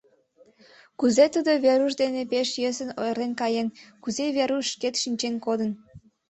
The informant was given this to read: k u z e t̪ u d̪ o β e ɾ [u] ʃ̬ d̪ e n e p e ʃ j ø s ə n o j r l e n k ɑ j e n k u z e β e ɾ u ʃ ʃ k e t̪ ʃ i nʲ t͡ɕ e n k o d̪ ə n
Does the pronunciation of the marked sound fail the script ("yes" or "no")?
no